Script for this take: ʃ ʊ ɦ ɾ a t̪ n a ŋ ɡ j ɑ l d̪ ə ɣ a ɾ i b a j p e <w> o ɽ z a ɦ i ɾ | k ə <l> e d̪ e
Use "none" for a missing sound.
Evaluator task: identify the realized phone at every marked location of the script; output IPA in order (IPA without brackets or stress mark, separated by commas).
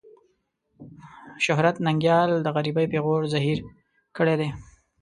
ɣ, ɽ